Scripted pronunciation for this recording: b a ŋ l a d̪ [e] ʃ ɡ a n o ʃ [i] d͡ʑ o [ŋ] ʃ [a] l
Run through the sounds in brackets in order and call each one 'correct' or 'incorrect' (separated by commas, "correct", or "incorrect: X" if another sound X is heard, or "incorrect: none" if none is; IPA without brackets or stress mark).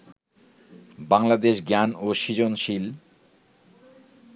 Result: correct, correct, incorrect: n, incorrect: i